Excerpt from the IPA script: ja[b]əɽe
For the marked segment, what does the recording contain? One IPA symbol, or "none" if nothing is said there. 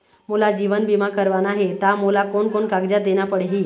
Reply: p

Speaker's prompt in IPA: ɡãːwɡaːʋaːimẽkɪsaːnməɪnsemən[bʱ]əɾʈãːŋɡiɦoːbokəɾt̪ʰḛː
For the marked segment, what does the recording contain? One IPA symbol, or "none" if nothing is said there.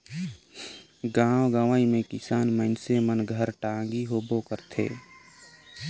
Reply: ɡʱ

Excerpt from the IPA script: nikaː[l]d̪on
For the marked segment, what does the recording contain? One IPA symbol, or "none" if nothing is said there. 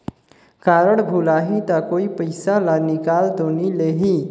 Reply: l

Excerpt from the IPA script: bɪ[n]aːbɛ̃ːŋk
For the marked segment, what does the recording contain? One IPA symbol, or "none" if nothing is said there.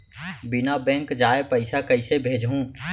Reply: n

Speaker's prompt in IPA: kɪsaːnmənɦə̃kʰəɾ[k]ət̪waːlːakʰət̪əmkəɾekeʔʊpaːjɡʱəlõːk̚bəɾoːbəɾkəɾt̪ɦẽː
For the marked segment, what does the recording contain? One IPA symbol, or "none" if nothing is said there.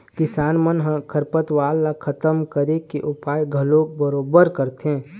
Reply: p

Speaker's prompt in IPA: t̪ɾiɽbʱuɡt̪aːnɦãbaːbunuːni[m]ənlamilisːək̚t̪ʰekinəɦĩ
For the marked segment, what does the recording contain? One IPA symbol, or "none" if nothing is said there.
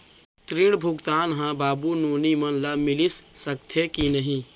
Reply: m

